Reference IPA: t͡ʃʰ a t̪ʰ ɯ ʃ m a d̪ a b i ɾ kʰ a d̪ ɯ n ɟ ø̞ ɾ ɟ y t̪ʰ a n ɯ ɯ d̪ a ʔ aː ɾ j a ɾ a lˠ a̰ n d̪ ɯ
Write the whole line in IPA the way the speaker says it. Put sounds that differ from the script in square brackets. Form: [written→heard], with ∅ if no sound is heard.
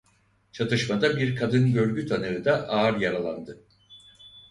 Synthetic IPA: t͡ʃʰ a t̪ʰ ɯ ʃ m a d̪ a b i ɾ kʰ a d̪ ɯ n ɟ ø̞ ɾ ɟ y t̪ʰ a n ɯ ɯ d̪ a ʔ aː ɾ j a ɾ a lˠ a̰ n d̪ ɯ